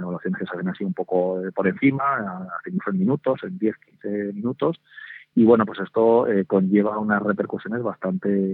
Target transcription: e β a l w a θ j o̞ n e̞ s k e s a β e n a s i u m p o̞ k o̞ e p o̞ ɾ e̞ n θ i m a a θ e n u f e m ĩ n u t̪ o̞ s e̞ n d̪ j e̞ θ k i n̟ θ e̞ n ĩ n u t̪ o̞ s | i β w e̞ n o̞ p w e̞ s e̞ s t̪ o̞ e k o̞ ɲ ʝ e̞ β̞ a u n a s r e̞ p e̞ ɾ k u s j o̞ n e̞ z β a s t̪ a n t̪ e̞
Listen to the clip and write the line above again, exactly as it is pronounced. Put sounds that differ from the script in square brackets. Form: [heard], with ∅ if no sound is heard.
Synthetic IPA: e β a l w a θ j o̞ n e̞ s k e s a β e n a s i u m p o̞ k o̞ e p o̞ ɾ e̞ n θ i m a a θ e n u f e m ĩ n u t̪ o̞ s e̞ n d̪ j e̞ θ k i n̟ θ e̞ [m] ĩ n u t̪ o̞ s | i β w e̞ n o̞ p w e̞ s e̞ s t̪ o̞ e k o̞ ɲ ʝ e̞ β̞ a u n a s r e̞ p e̞ ɾ k u s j o̞ n e̞ z β a s t̪ a n t̪ e̞